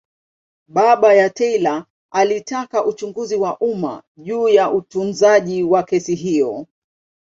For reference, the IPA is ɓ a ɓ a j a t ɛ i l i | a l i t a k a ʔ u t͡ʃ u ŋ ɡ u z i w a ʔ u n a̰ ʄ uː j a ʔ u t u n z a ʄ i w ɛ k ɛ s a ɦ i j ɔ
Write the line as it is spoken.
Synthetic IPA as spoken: ɓ a ɓ a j a t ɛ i l a | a l i t a k a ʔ u t͡ʃ u ŋ ɡ u z i w a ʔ u m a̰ ʄ uː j a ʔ u t u n z a ʄ i w a k ɛ s i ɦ i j ɔ